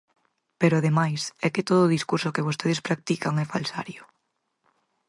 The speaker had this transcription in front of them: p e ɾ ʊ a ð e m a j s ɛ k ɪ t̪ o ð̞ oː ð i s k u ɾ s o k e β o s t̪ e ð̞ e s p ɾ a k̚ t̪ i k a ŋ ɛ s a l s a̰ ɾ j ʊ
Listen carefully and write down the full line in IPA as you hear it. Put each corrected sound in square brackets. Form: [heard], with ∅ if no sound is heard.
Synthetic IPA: p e ɾ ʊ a ð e m a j s ɛ k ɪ t̪ o ð̞ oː ð i s k u ɾ s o k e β o s t̪ e ð̞ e s p ɾ a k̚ t̪ i k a ŋ ɛ [f] a l s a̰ ɾ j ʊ